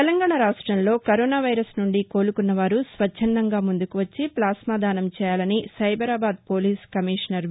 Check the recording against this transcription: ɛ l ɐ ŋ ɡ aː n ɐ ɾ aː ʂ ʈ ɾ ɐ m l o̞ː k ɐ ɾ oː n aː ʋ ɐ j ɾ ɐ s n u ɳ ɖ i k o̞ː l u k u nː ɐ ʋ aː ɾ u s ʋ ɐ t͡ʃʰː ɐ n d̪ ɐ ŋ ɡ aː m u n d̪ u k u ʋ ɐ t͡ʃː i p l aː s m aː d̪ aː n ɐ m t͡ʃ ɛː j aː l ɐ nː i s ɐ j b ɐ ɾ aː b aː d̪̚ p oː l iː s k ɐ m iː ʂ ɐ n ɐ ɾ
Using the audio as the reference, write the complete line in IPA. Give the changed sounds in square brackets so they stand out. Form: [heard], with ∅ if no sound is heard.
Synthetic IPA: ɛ l ɐ ŋ ɡ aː [ɳ] ɐ ɾ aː ʂ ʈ ɾ ɐ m l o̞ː k ɐ ɾ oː n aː ʋ ɐ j ɾ ɐ s n u ɳ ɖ i k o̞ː l u k u nː ɐ ʋ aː ɾ u s ʋ ɐ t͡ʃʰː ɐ n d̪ ɐ ŋ ɡ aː m u n d̪ u k u ʋ ɐ t͡ʃː i p l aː s m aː d̪ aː n ɐ m t͡ʃ ɛː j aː l ɐ [n] i s ɐ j b ɐ ɾ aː b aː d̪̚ p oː l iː s k ɐ m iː ʂ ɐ n ɐ ɾ